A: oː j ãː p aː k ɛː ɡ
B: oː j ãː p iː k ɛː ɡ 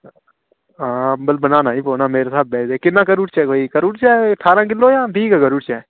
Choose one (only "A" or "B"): B